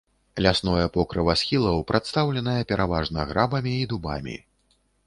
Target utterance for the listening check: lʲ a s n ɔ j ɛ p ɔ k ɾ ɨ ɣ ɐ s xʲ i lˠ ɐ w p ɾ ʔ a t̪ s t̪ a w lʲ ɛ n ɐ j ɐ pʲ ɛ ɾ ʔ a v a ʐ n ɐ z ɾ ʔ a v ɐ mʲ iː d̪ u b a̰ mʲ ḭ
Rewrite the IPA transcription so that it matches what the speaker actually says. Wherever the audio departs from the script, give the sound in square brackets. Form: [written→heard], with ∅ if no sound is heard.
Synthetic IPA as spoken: lʲ a s n ɔ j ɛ p ɔ k ɾ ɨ [ɣ→v] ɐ s xʲ i lˠ ɐ w p ɾ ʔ a t̪ s t̪ a w lʲ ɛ n ɐ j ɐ pʲ ɛ ɾ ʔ a v a ʐ n ɐ [z→ɣ] ɾ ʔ a [v→b] ɐ mʲ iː d̪ u b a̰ mʲ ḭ

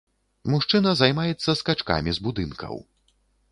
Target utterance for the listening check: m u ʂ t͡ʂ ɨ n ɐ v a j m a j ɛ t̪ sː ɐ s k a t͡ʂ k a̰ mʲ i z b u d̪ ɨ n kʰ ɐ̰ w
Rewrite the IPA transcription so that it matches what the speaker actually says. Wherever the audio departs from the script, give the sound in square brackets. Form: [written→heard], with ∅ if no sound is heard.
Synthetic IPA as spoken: m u ʂ t͡ʂ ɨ n ɐ [v→z] a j m a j ɛ t̪ sː ɐ s k a t͡ʂ k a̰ mʲ i z b u d̪ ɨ n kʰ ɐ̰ w

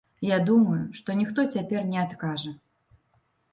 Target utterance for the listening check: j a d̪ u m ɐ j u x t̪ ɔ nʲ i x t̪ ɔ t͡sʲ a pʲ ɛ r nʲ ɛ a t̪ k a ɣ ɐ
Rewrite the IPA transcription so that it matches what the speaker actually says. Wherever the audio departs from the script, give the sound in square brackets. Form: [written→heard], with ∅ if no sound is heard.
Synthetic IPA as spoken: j a d̪ u m ɐ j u [x→ʂ] t̪ ɔ nʲ i x t̪ ɔ t͡sʲ a pʲ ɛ r nʲ ɛ a t̪ k a [ɣ→ʐ] ɐ

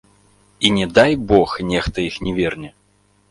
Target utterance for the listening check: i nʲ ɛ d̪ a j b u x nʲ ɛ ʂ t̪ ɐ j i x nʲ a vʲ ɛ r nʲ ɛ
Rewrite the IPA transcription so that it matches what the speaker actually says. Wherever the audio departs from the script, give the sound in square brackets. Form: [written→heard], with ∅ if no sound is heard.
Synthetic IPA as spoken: i nʲ ɛ d̪ a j b [u→ɔ] x nʲ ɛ [ʂ→x] t̪ ɐ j i x nʲ [a→ɛ] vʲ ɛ r nʲ ɛ

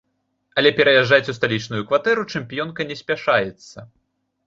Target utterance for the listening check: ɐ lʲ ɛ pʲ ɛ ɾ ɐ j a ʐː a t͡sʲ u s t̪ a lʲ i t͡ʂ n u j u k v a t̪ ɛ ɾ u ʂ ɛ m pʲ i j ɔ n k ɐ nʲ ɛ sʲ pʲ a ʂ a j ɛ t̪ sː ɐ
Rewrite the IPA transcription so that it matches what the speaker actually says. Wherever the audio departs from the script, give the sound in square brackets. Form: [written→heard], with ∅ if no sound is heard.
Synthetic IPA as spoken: ɐ lʲ ɛ pʲ ɛ ɾ ɐ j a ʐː a t͡sʲ u s t̪ a lʲ i t͡ʂ n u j u k v a t̪ ɛ ɾ u [ʂ→t͡ʂ] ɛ m pʲ i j ɔ n k ɐ nʲ ɛ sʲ pʲ a ʂ a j ɛ t̪ sː ɐ

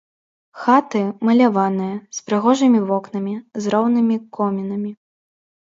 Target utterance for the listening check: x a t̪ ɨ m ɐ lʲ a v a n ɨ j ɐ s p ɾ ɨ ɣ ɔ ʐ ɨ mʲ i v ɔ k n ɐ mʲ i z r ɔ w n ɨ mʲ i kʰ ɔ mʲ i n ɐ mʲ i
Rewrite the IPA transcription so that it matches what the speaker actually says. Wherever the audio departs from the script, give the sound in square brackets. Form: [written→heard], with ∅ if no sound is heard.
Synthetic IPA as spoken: x a t̪ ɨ m ɐ lʲ a v a n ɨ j ɐ s p ɾ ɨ ɣ ɔ ʐ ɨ mʲ i v ɔ k n ɐ mʲ i z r ɔ w n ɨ mʲ i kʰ ɔ mʲ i n ɐ mʲ i

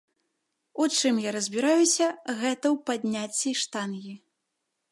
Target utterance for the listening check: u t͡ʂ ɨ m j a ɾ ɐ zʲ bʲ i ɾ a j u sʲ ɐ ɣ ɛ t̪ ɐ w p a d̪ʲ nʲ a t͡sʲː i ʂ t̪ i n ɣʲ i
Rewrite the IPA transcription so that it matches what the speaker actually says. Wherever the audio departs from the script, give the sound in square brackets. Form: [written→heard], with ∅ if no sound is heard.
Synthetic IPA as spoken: u t͡ʂ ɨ m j a ɾ ɐ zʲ bʲ i ɾ a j u sʲ ɐ ɣ ɛ t̪ ɐ w p a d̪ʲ nʲ a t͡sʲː i ʂ t̪ [i→a] n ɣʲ i

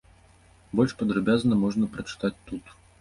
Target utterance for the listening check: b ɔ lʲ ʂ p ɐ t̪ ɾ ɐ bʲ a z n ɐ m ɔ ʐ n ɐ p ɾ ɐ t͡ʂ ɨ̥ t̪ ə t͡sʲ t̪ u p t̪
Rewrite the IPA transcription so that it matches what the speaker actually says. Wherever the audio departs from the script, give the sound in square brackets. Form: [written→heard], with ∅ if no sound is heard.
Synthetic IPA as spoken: b ɔ lʲ ʂ p ɐ [t̪→d̪] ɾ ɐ bʲ a z n ɐ m ɔ ʐ n ɐ p ɾ ɐ t͡ʂ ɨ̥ t̪ [ə→a] t͡sʲ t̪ u [p→∅] t̪

